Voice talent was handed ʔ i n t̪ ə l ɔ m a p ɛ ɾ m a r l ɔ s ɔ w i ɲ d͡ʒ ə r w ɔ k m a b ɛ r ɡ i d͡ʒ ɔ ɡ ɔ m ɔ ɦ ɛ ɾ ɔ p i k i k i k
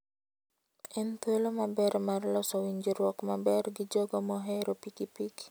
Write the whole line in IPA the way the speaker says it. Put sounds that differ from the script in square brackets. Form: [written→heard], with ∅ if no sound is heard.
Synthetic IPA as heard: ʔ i n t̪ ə l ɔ m a [p→b] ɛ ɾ m a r l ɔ s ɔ w i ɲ d͡ʒ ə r w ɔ k m a b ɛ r ɡ i d͡ʒ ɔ ɡ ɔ m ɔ ɦ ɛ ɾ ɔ p i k i [k→p] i k